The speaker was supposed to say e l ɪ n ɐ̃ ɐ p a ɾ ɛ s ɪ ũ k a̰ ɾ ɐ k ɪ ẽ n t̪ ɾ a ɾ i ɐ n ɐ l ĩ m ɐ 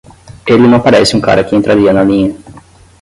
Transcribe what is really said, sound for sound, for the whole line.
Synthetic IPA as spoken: e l ɪ n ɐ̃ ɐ p a ɾ ɛ s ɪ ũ k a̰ ɾ ɐ k ɪ ẽ n t̪ ɾ a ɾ i ɐ n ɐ l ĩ ɲ ɐ

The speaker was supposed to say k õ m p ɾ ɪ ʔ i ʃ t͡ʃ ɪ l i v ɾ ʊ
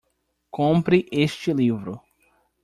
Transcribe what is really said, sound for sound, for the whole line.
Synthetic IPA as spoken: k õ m p ɾ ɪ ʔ e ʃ t͡ʃ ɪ l i v ɾ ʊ

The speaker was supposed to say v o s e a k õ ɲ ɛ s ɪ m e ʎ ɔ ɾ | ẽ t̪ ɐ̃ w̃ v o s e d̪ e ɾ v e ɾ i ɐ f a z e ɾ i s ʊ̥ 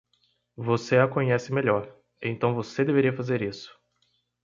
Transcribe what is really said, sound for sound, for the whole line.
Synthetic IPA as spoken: v o s e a k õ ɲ ɛ s ɪ m e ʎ ɔ ɾ | ẽ t̪ ɐ̃ w̃ v o s e d̪ e v e ɾ i ɐ f a z e ɾ i s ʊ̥

